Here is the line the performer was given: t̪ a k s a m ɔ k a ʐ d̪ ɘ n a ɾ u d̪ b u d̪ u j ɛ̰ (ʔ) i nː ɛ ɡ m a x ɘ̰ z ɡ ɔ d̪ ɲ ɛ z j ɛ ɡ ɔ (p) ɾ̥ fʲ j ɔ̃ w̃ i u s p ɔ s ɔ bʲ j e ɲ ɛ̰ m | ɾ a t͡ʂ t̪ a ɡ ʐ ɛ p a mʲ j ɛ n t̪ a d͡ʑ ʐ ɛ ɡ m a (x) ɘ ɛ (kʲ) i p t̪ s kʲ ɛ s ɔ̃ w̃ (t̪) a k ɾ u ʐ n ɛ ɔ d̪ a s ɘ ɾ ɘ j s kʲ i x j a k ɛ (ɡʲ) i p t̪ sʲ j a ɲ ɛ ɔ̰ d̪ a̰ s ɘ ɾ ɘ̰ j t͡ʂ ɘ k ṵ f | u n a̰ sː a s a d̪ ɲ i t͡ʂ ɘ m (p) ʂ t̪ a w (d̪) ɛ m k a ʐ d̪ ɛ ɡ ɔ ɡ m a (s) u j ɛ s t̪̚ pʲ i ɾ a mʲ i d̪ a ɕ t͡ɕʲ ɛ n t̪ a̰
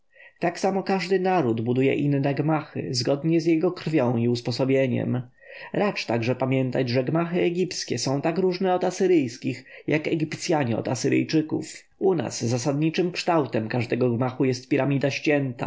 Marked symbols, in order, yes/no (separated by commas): yes, no, yes, no, yes, yes, no, no, no